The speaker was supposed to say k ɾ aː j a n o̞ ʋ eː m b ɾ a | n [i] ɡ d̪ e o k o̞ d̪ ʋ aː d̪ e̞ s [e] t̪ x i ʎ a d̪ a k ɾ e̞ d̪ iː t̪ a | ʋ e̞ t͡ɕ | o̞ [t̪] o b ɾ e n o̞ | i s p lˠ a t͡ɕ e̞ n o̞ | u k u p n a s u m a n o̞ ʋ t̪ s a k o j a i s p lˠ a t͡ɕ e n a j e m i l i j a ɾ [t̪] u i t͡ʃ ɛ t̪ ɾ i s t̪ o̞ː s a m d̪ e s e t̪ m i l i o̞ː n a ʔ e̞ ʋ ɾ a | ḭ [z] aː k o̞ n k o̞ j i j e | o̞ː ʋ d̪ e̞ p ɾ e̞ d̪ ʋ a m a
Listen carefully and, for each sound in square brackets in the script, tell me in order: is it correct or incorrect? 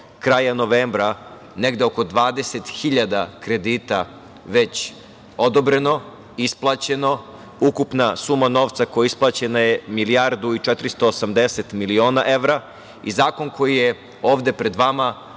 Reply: incorrect: e, correct, incorrect: d̪, incorrect: d̪, correct

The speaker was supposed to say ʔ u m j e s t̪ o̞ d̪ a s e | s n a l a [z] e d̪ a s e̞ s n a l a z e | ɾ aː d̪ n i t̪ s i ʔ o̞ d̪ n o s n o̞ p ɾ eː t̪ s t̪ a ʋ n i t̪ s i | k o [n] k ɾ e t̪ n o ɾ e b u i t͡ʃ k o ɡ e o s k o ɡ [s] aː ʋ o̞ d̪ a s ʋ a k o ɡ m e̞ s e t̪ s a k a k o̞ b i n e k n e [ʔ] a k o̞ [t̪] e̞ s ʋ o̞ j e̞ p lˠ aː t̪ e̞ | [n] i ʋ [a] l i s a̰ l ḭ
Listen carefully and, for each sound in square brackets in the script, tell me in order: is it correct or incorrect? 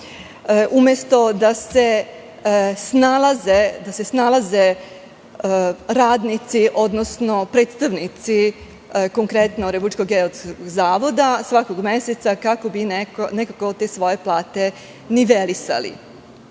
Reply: correct, incorrect: ŋ, incorrect: z, incorrect: k, correct, correct, incorrect: e

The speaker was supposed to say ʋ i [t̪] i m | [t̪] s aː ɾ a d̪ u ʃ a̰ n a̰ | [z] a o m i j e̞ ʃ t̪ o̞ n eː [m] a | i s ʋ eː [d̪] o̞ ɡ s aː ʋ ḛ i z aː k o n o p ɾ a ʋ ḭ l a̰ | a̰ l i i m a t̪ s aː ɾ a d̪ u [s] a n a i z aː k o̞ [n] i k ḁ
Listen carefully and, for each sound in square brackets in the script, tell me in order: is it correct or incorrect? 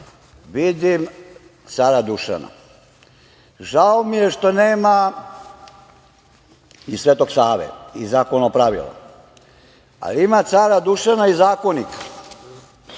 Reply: incorrect: d̪, correct, incorrect: ʒ, correct, incorrect: t̪, incorrect: ʃ, correct

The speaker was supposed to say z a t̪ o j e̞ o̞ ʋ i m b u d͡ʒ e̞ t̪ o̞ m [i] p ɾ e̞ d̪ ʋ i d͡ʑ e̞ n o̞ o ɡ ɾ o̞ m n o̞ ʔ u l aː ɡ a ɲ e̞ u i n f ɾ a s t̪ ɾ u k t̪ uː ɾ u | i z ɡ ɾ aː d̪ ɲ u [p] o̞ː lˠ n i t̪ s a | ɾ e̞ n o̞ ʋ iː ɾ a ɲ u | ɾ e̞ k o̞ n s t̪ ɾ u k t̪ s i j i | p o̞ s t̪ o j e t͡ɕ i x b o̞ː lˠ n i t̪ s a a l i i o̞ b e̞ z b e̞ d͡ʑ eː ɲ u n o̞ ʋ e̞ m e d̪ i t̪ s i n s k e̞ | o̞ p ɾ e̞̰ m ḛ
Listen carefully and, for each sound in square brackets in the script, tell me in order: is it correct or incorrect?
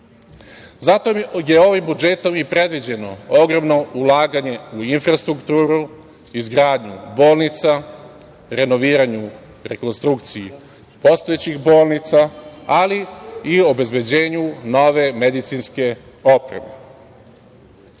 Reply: correct, incorrect: b

